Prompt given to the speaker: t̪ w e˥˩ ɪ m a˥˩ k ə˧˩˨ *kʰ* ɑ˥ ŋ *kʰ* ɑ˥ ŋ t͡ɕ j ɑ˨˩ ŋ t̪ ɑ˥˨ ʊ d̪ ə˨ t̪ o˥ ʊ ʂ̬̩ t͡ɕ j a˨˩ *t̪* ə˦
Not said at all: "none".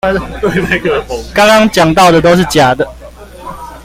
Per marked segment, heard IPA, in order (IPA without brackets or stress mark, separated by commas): k, k, d̪